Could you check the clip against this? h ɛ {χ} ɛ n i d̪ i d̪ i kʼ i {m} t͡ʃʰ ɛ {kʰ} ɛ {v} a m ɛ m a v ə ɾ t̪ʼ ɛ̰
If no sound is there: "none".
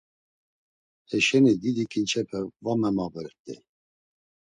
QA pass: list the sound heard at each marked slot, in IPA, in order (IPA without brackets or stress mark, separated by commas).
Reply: ʃ, n, pʰ, v